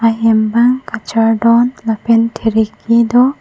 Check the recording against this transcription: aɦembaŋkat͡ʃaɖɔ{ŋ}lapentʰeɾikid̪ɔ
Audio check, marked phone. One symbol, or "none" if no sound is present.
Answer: n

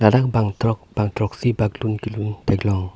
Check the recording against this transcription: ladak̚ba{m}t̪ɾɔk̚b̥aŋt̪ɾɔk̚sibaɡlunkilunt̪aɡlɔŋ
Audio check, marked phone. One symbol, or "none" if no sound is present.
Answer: ŋ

